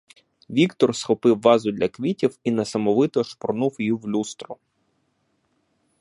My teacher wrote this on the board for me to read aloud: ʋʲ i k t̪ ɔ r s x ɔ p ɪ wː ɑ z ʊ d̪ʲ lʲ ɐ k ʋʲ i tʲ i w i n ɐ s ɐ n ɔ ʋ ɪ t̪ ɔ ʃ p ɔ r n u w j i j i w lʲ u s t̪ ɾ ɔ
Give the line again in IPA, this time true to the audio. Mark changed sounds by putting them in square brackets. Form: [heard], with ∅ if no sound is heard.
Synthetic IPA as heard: ʋʲ i k t̪ ɔ r s x ɔ p ɪ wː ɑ z ʊ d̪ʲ lʲ ɐ k ʋʲ i tʲ i w i n ɐ s ɐ [m] ɔ ʋ ɪ t̪ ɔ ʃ p ɔ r n u w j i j i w lʲ u s t̪ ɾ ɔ